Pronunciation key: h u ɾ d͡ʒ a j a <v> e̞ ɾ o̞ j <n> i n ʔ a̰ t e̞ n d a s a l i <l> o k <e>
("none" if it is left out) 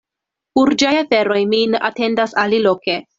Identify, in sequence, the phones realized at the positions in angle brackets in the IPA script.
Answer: f, m, l, e

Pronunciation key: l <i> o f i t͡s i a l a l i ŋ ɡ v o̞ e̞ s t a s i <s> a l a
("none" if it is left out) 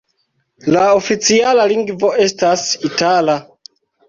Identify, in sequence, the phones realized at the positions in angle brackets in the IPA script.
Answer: a, t

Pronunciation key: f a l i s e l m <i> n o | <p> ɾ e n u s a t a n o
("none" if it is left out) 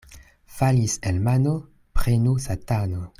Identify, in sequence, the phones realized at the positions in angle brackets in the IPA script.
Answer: a, p

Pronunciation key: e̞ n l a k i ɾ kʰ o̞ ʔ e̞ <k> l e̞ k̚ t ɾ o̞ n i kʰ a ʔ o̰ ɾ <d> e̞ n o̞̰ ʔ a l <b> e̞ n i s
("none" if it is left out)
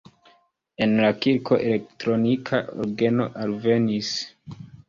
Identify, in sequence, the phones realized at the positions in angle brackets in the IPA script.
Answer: none, ɡ, v

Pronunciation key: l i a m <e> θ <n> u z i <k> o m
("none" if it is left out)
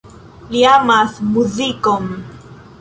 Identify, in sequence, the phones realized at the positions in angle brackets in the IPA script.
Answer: a, m, k

